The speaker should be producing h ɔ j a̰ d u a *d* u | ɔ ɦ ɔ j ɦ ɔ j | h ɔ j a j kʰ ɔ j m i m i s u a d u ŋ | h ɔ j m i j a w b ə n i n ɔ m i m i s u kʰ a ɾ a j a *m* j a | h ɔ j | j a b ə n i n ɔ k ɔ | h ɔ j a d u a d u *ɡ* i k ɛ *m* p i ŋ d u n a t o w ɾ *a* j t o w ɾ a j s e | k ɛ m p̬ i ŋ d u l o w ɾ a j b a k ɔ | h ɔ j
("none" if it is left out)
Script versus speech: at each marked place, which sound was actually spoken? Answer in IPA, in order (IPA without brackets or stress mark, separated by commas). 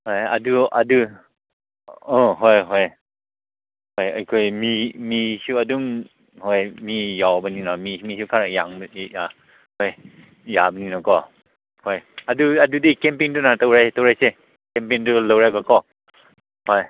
d, ŋ, d, m, a